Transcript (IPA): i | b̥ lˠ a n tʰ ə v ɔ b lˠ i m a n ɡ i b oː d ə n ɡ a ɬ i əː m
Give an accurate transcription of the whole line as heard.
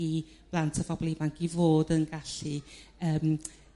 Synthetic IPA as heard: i | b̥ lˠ a n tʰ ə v ɔ b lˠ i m a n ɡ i v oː d ə n ɡ a ɬ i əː m